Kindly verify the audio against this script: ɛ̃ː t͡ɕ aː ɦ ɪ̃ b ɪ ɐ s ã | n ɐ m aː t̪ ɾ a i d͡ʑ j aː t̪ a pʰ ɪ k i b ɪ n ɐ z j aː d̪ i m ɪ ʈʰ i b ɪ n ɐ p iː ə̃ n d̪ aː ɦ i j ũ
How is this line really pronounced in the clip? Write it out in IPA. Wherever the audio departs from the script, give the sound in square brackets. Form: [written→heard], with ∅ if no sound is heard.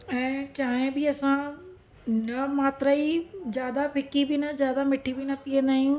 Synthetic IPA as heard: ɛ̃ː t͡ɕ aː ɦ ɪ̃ b ɪ ɐ s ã | n ɐ m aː t̪ ɾ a i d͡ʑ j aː [t̪→d̪] a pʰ ɪ k i b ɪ n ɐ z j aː d̪ [i→a] m ɪ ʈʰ i b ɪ n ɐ p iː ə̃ n d̪ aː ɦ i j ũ